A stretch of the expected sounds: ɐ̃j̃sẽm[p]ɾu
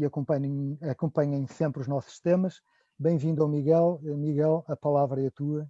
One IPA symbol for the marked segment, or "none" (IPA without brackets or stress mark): p